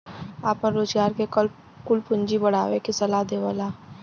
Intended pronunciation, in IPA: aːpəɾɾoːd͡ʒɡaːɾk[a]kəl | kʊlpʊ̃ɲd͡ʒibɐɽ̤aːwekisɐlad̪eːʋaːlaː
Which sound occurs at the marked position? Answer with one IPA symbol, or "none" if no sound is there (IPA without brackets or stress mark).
e